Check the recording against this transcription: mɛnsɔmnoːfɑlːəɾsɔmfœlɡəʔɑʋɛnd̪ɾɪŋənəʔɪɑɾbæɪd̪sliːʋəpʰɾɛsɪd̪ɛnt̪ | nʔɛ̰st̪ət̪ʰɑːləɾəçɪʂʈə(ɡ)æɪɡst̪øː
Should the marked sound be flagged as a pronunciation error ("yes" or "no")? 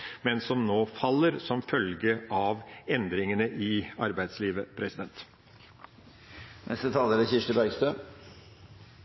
yes